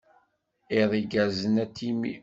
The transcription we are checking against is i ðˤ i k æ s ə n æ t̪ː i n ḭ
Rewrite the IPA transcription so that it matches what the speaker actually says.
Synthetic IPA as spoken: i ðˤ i ɡ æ z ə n æ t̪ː i m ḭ